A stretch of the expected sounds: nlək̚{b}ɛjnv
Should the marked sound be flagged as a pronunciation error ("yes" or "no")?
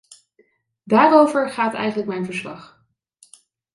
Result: yes